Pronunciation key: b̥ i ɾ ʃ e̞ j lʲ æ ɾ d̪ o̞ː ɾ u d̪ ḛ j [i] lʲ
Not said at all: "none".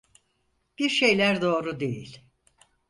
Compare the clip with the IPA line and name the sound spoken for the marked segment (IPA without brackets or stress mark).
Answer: i